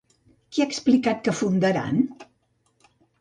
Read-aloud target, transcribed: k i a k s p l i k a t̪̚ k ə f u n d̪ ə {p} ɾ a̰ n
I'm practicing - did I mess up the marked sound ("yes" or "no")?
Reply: yes